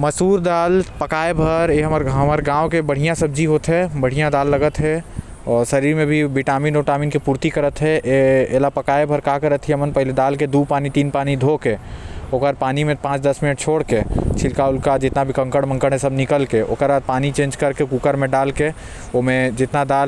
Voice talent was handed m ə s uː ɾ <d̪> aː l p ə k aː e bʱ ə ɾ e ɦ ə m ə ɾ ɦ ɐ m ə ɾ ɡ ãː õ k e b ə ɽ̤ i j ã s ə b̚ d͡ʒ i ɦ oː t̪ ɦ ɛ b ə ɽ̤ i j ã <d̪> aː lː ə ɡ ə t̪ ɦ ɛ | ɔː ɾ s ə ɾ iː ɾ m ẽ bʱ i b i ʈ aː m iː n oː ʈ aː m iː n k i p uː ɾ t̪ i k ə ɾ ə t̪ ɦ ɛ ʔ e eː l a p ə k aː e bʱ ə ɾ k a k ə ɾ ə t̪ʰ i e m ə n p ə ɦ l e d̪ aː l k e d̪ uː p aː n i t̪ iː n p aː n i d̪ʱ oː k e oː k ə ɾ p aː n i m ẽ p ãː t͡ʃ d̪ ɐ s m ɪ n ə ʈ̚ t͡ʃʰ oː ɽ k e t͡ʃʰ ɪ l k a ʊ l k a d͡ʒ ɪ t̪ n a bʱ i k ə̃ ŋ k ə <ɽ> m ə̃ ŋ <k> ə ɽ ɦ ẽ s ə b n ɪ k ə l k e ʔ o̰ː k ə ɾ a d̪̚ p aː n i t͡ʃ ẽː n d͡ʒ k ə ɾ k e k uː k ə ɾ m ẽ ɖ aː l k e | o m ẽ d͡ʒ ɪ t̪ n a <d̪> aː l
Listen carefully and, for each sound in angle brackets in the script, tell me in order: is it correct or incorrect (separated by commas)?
correct, correct, correct, correct, correct